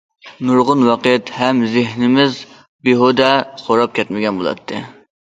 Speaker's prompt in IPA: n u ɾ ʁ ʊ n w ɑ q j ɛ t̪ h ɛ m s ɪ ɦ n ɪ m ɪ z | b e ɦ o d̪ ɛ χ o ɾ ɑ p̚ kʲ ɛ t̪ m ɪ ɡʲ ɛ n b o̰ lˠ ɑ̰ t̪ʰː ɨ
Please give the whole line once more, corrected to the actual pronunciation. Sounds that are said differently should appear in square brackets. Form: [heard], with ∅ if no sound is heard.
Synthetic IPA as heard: n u ɾ ʁ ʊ n w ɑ q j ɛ t̪ h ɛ m [z] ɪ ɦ n ɪ m ɪ z | b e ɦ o d̪ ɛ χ o ɾ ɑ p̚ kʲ ɛ t̪ m ɪ ɡʲ ɛ n b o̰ lˠ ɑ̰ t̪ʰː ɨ